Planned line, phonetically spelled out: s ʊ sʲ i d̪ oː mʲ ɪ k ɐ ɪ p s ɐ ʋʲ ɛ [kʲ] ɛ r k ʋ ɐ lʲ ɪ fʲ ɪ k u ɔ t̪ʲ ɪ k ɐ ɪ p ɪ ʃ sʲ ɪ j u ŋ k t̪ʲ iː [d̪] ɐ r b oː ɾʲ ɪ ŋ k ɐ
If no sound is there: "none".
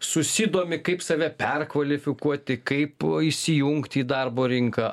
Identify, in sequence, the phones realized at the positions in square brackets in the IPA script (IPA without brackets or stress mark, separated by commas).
pʲ, d̪